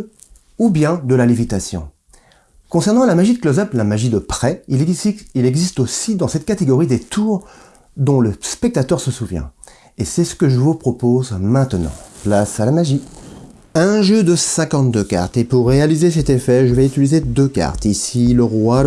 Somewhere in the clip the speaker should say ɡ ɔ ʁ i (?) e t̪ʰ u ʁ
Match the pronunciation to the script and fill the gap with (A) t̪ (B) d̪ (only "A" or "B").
B